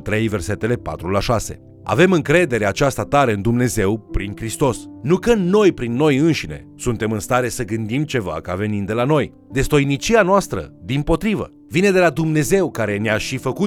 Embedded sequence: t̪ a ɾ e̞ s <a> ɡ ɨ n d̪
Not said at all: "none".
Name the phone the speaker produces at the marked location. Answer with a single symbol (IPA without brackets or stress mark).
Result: ə